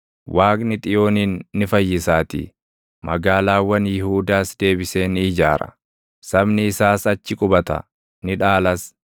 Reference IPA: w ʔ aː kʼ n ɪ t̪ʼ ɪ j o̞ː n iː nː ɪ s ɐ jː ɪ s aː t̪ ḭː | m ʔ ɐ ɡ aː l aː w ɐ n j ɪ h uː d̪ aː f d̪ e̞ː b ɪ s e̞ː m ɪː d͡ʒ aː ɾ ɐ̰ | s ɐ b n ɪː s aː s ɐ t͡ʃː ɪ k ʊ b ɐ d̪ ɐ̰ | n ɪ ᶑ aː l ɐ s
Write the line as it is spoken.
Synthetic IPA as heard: w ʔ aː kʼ n ɪ t̪ʼ ɪ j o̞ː n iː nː ɪ f ɐ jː ɪ s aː t̪ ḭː | m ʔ ɐ ɡ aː l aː w ɐ n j ɪ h uː d̪ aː s d̪ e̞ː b ɪ s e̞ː n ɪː d͡ʒ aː ɾ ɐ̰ | s ɐ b n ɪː s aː s ɐ t͡ʃː ɪ kʼ ʊ b ɐ t̪ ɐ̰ | n ɪ ᶑ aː l ɐ s